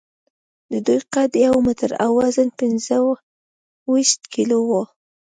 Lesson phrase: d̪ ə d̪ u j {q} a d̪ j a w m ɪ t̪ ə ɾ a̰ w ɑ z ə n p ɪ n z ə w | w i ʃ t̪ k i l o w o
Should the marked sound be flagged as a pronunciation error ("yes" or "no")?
no